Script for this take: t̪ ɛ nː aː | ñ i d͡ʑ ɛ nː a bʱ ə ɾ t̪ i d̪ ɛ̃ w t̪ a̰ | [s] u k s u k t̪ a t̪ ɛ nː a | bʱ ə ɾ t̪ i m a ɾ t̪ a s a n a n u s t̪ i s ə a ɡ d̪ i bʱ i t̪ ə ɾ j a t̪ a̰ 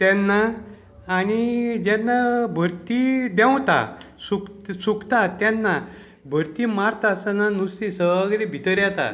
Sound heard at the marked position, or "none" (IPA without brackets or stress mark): s